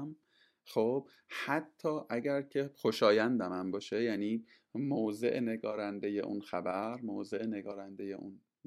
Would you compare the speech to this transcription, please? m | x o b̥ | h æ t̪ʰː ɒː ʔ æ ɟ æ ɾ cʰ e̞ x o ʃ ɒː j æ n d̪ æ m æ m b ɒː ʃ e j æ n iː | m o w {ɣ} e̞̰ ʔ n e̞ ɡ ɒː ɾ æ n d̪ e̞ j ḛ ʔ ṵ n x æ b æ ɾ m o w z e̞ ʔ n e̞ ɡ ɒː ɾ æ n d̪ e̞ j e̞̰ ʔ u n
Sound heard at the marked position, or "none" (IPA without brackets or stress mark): z